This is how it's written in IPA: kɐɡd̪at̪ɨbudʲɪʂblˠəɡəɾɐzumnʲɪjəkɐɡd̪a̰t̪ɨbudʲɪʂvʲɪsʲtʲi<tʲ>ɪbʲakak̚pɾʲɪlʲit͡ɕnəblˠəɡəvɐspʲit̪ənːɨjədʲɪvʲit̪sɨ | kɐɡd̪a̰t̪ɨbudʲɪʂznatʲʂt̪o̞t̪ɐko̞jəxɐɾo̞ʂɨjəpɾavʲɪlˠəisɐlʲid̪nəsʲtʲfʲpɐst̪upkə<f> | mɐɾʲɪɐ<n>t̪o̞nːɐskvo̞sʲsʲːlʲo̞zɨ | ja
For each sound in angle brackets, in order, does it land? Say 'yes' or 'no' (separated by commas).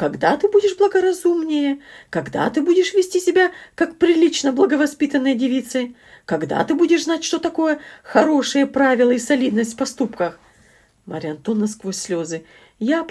no, no, yes